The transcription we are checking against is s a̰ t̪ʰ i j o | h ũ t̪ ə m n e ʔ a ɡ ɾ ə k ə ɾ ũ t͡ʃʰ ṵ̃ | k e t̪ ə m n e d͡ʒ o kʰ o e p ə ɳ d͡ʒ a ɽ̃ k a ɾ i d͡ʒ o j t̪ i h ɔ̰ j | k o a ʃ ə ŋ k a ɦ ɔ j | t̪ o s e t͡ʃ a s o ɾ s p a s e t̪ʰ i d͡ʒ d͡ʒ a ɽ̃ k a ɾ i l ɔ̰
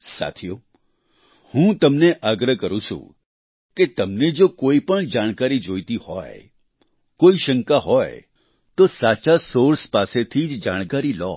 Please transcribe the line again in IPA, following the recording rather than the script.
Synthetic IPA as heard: s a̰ t̪ʰ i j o | h ũ t̪ ə m n e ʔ a ɡ ɾ ə k ə ɾ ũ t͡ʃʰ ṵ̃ | k e t̪ ə m n e d͡ʒ o k o i p ə ɳ d͡ʒ a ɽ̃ k a ɾ i d͡ʒ o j t̪ i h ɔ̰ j | k o i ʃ ə ŋ k a ɦ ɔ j | t̪ o s a t͡ʃ a s o ɾ s p a s e t̪ʰ i d͡ʒ d͡ʒ a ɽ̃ k a ɾ i l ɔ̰